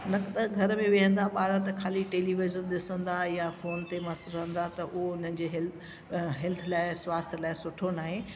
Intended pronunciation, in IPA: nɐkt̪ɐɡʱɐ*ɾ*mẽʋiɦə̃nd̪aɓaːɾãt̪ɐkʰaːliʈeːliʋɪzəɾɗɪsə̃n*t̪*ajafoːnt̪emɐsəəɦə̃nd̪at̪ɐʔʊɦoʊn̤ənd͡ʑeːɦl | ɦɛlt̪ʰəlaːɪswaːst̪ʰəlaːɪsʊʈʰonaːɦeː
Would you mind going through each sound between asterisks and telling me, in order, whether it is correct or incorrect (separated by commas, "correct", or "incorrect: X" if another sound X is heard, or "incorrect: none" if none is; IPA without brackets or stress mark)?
correct, incorrect: d̪